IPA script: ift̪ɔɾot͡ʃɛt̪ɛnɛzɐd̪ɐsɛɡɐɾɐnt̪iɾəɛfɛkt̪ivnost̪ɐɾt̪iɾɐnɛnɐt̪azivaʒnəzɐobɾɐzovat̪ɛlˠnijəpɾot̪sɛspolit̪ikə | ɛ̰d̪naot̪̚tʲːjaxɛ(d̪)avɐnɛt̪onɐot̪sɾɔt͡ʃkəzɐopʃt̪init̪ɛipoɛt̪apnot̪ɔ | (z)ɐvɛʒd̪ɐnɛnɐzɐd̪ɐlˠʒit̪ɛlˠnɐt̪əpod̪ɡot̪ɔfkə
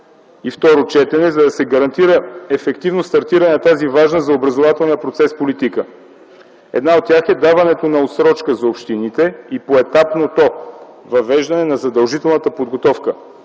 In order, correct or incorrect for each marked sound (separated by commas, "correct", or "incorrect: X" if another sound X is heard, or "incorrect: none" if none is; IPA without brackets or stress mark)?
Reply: correct, incorrect: v